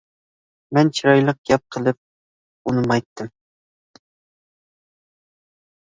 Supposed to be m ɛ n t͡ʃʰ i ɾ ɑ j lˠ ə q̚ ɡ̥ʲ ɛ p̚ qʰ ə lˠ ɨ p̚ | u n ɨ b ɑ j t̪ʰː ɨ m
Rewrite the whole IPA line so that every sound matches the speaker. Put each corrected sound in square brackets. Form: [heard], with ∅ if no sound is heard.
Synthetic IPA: m ɛ n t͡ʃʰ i ɾ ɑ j lˠ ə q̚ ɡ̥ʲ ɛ p̚ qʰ ə lˠ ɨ p̚ | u n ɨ [m] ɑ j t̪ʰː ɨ m